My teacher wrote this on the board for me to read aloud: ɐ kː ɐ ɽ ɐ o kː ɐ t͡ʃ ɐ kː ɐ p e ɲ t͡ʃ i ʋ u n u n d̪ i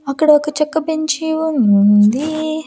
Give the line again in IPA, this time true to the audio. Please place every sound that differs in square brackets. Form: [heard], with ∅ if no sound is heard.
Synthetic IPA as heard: ɐ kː ɐ ɽ ɐ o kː ɐ t͡ʃ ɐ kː ɐ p e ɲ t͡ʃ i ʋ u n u n d̪ i